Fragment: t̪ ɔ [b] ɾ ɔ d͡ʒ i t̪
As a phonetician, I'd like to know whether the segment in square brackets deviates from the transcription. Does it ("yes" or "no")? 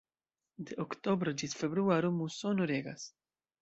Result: no